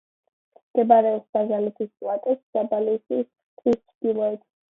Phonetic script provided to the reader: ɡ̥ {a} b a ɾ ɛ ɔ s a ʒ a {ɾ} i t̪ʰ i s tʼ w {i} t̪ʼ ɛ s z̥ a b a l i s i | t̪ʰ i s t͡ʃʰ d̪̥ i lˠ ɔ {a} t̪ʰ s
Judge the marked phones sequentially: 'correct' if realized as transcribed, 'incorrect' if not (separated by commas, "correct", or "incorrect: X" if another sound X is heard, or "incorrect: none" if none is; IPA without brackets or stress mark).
incorrect: ɛ, incorrect: l, incorrect: a, incorrect: ɛ